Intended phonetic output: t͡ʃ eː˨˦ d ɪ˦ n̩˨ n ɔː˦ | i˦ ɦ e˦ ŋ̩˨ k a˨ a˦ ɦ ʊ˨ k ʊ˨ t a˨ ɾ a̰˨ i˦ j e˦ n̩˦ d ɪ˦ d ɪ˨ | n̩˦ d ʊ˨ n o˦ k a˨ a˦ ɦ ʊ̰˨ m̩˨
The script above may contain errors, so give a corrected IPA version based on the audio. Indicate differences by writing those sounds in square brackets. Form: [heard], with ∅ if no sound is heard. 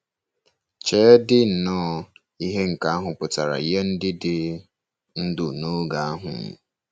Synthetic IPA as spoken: t͡ʃ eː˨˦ d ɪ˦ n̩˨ n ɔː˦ | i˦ ɦ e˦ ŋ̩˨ k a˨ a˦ ɦ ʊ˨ [p] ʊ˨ t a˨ ɾ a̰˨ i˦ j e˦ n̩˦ d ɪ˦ d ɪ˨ | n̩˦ d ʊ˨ n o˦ [ɡ] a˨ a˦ ɦ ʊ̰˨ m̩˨